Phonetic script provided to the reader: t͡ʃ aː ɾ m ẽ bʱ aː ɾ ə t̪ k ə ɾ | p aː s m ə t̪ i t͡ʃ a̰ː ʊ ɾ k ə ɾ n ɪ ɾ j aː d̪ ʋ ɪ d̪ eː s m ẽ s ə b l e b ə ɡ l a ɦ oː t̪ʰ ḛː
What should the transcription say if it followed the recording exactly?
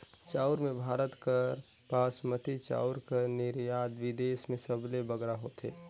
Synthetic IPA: t͡ʃ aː ɾ m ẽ bʱ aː ɾ ə t̪ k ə ɾ | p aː s m ə t̪ i t͡ʃ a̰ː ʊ ɾ k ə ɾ n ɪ ɾ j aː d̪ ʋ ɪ d̪ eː s m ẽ s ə b l e b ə ɡ ɾ a ɦ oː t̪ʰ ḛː